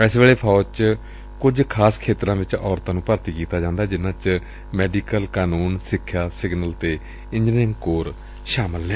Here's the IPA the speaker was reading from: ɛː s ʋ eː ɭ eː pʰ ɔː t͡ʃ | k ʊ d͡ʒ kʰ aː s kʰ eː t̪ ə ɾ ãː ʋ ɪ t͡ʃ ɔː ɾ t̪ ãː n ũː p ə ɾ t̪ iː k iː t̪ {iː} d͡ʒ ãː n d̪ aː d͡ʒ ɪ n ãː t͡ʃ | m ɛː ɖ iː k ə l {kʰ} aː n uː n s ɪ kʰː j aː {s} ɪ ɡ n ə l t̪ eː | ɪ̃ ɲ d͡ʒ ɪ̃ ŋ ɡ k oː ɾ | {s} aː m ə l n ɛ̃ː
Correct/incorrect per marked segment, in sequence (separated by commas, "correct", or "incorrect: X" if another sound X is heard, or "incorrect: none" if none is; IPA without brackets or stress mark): incorrect: aː, incorrect: k, correct, incorrect: ʃ